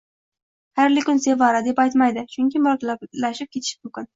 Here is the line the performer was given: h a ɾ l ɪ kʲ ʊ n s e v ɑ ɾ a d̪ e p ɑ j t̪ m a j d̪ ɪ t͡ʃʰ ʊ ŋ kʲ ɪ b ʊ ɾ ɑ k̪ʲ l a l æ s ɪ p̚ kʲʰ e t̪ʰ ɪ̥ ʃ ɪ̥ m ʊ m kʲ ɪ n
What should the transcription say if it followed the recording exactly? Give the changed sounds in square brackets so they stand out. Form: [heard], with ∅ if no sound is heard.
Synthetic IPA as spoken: h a ɾ l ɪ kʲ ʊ n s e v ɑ ɾ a d̪ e p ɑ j t̪ m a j d̪ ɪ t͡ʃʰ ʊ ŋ kʲ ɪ [m] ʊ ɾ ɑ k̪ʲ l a l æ [ʃ] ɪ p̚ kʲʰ e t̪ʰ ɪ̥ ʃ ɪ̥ m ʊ m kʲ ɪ n